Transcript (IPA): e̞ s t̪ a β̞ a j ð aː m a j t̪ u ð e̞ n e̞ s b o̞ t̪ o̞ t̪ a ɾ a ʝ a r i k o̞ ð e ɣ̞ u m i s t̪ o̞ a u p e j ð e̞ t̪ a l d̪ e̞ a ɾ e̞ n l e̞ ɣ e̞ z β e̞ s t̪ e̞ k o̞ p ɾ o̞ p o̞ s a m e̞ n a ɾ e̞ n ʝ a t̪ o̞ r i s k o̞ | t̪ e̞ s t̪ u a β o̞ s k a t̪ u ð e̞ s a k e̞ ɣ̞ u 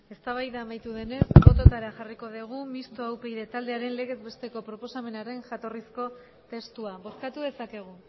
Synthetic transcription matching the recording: e̞ s t̪ a β̞ a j ð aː m a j t̪ u ð e̞ n e̞ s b o̞ t̪ o̞ t̪ a ɾ a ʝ a r i k o̞ ð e ɣ̞ u m i s t̪ o̞ a w p e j ð e̞ t̪ a l d̪ e̞ a ɾ e̞ n l e̞ ɣ e̞ z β e̞ s t̪ e̞ k o̞ p ɾ o̞ p o̞ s a m e̞ n a ɾ e̞ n ʝ a t̪ o̞ r i s k o̞ | t̪ e̞ s t̪ u a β o̞ s k a t̪ u ð e̞ s a k e̞ ɣ̞ u

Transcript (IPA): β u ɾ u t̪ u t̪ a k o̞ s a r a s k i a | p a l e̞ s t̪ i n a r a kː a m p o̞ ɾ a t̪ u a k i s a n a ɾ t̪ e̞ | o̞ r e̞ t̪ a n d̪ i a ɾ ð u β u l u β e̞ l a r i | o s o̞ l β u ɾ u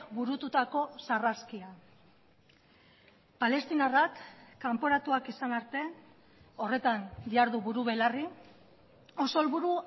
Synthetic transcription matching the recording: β u ɾ u t̪ u t̪ a k o̞ s a r a s k i a | p a l e̞ s t̪ i n a r a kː a m p o̞ ɾ a t̪ u a k i s a n a ɾ t̪ e̞ | o̞ r e̞ t̪ a n d̪ i a ɾ ð u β u ɾ u β e̞ l a r i | o s o̞ l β u ɾ u

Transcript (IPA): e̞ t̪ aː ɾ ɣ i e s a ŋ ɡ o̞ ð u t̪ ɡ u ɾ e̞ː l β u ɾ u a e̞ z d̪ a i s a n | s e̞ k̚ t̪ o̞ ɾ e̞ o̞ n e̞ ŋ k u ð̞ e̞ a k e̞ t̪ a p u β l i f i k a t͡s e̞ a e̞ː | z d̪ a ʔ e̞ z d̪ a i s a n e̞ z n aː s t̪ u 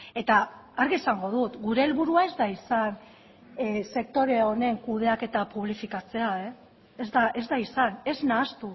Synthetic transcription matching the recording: e̞ t̪ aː ɾ ɣ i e s a ŋ ɡ o̞ ð u t̪ ɡ u ɾ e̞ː l β u ɾ u a e̞ z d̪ a i s a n | s e̞ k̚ t̪ o̞ ɾ e̞ o̞ n e̞ ŋ k u ð̞ e̞ a k e̞ t̪ a p u β l i f i k a t͡s e̞ a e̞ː | z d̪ a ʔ e̞ z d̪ a i s a n e̞ z n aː s t̪ u

